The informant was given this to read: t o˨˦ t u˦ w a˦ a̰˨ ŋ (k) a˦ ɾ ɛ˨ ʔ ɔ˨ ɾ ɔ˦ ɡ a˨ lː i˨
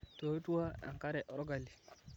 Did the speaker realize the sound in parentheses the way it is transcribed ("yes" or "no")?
yes